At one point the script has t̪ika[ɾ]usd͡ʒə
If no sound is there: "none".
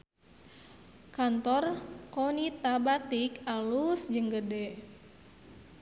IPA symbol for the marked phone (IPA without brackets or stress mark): l